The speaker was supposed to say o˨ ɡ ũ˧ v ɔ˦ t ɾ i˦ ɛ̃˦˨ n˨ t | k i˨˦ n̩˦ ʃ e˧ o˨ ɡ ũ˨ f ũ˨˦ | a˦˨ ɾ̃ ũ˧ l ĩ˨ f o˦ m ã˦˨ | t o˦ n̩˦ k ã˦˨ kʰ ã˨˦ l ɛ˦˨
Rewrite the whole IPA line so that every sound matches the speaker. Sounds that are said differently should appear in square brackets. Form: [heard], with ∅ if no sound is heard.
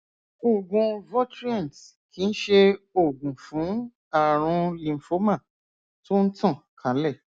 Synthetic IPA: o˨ ɡ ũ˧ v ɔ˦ t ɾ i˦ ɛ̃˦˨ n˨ t | k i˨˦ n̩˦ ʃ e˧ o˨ ɡ ũ˨ f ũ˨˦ | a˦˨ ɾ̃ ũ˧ l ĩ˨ f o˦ m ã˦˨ | t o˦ n̩˦ [t] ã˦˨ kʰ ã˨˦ l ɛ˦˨